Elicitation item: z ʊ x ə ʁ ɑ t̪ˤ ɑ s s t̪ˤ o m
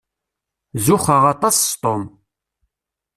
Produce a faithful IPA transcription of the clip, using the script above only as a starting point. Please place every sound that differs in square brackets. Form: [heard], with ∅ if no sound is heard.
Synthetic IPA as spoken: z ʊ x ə ʁ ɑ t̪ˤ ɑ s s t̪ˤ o m

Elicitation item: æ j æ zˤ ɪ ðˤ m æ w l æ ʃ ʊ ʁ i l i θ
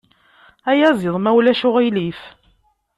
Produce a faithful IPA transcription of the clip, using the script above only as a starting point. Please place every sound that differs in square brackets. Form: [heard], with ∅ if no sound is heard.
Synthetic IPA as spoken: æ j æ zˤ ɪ ðˤ m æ w l æ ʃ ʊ ʁ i l i [f]

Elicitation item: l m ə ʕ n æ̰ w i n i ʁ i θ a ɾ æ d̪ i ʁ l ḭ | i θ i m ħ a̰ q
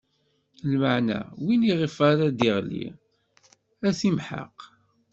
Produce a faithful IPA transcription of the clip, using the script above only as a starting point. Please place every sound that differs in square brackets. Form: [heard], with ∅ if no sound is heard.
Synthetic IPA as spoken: l m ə ʕ n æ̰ w i n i ʁ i [f] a ɾ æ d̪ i ʁ l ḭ | [æ] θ i m ħ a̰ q

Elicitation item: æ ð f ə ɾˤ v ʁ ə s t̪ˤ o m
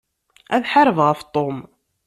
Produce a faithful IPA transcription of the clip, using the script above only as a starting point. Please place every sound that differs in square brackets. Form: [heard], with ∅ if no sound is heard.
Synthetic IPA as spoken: æ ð [ħ] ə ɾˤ v ʁ ə [f] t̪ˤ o m

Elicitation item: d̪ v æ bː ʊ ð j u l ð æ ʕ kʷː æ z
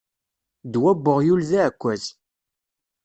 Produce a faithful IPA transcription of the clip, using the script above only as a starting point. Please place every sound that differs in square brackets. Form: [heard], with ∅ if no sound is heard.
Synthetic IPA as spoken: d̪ [w] æ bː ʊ [ʁ] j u l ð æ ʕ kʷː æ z

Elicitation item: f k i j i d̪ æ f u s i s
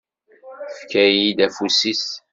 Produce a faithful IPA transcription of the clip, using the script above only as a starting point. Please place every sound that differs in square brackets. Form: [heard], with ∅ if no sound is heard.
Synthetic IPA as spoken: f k [æ] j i d̪ æ f u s i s

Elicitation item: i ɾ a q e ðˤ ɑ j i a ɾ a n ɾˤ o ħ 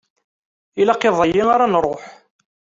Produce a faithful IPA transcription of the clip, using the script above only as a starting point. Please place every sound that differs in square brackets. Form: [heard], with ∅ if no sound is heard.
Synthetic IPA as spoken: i [l] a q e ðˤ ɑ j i a ɾ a n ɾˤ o ħ

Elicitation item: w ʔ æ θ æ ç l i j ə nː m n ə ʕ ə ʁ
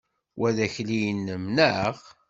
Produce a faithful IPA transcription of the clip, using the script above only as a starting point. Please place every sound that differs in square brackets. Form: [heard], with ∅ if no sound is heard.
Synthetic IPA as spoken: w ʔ æ [ð] æ ç l i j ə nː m n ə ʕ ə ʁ

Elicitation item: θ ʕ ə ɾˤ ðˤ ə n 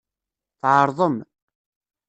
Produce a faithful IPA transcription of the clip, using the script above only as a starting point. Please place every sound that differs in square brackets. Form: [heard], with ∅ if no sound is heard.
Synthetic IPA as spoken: θ ʕ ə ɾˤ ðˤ ə [m]

